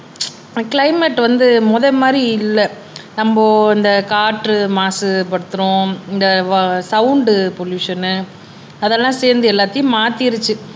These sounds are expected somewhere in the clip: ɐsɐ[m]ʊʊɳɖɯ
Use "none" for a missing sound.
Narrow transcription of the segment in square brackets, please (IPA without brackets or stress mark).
none